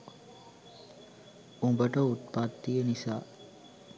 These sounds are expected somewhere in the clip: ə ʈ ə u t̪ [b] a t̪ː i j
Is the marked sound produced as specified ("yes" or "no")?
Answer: no